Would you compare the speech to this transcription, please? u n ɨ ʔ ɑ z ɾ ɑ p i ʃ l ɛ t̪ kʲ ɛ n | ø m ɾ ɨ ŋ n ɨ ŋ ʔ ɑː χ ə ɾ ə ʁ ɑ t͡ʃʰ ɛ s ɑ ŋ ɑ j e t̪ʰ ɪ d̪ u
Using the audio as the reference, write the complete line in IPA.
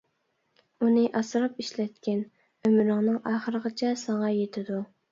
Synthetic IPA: u n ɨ ʔ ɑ s ɾ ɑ p i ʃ l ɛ t̪ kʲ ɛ n | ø m ɾ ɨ ŋ n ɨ ŋ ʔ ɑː χ ə ɾ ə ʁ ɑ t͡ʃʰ ɛ s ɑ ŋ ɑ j e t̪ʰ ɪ d̪ u

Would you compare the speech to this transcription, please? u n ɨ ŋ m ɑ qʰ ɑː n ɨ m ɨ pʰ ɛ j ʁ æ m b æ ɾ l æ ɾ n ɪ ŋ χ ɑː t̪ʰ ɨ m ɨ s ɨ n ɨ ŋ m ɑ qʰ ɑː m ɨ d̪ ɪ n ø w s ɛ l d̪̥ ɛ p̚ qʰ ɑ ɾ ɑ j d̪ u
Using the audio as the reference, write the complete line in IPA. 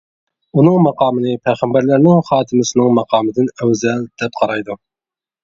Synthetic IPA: u n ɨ ŋ m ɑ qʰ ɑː m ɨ n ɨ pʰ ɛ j ʁ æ m b æ ɾ l æ ɾ n ɪ ŋ χ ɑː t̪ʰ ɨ m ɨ s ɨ n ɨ ŋ m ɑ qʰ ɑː m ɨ d̪ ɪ n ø w z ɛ l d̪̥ ɛ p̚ qʰ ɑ ɾ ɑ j d̪ u

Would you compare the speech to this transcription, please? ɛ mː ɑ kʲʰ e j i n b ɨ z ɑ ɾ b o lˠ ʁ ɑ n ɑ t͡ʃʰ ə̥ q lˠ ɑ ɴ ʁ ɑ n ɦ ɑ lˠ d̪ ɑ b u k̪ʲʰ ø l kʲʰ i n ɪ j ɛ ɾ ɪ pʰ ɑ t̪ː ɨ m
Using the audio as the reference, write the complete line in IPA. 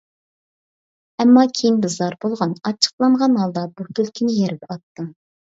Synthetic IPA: ɛ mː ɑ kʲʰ e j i n b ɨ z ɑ ɾ b o lˠ ʁ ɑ n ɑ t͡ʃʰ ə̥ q lˠ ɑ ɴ ʁ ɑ n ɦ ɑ lˠ d̪ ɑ b u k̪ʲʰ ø l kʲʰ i n ɪ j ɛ ɾ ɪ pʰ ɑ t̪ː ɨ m

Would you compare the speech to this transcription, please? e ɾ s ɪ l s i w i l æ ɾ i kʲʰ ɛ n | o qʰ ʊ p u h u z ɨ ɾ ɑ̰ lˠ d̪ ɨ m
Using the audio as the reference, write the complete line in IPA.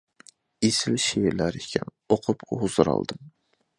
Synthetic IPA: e s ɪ l ʃ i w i l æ ɾ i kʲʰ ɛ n | o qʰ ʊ p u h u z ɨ ɾ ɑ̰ lˠ d̪ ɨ m

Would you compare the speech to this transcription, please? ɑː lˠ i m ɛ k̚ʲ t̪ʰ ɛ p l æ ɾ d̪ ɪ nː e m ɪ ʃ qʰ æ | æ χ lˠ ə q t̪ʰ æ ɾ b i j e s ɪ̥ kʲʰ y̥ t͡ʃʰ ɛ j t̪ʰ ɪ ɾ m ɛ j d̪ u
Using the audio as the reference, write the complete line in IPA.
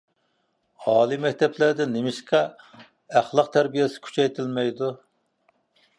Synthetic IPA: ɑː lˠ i m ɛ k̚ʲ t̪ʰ ɛ p l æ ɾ d̪ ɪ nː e m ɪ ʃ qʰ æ | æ χ lˠ ə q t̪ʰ æ ɾ b i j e s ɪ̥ kʲʰ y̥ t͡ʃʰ ɛ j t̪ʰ ɪ l m ɛ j d̪ u

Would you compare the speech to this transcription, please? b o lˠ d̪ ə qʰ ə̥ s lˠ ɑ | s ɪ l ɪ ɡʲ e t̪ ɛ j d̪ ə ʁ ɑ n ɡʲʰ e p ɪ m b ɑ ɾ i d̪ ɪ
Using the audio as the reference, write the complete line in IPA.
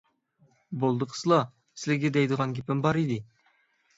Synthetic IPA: b o lˠ d̪ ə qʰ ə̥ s lˠ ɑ | s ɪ l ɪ ɡʲ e d̪ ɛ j d̪ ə ʁ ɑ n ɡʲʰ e p ɪ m b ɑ ɾ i d̪ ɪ

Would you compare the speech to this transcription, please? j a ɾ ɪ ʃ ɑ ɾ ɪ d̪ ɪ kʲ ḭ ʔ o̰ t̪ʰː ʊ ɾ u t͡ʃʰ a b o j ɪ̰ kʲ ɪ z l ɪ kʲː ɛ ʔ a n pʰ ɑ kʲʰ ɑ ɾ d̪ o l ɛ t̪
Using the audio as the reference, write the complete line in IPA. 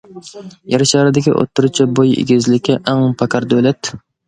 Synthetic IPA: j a ɾ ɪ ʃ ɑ ɾ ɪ d̪ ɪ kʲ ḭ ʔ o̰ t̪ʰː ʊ ɾ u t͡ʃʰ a b o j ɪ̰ ɡʲ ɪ z l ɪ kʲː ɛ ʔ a ŋ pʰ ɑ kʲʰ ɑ ɾ d̪ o l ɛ t̪

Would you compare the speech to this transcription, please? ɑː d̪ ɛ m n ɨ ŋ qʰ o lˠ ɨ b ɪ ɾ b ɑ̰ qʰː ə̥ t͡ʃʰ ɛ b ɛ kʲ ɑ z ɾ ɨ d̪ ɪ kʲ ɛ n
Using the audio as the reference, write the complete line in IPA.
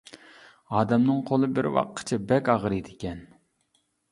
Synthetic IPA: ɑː d̪ ɛ m n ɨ ŋ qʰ o lˠ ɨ b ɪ ɾ w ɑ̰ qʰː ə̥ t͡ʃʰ ɛ b ɛ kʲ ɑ ʁ ɾ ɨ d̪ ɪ kʲ ɛ n

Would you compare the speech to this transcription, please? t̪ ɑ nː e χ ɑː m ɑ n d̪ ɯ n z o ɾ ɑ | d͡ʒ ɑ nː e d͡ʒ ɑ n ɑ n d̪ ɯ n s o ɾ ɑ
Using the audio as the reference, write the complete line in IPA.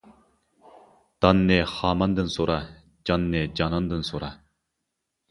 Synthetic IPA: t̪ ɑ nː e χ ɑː m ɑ n d̪ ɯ n s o ɾ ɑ | d͡ʒ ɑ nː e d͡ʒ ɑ n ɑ n d̪ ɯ n s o ɾ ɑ

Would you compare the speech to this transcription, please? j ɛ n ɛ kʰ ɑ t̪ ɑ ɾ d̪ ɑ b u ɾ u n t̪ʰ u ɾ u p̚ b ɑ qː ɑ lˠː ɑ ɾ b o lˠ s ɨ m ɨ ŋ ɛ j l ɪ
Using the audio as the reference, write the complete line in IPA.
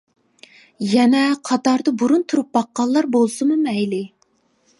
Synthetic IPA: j ɛ n ɛ qʰ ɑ t̪ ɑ ɾ d̪ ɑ b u ɾ u n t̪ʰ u ɾ u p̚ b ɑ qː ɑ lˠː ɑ ɾ b o lˠ s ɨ m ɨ m ɛ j l ɪ

